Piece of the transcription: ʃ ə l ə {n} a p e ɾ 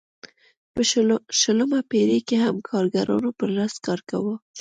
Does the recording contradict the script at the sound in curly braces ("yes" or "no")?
yes